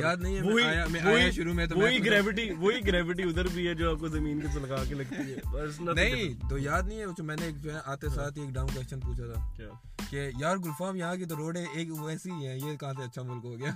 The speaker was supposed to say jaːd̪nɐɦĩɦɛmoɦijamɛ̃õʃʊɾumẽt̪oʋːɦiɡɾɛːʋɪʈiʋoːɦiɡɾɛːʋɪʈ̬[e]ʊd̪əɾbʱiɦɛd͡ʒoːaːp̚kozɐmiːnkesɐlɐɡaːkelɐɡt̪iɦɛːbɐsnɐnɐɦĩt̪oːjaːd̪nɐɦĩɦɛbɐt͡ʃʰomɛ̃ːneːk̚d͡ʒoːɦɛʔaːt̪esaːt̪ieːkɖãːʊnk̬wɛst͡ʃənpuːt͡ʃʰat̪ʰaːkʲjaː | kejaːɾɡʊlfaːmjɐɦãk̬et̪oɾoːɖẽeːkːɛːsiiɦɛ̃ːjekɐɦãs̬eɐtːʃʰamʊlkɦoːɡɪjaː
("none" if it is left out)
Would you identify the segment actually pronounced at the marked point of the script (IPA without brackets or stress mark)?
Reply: i